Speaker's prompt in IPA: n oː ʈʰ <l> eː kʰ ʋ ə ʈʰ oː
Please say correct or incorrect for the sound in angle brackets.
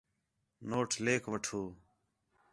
correct